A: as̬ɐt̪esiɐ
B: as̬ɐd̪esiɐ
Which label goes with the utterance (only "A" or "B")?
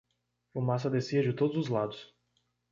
B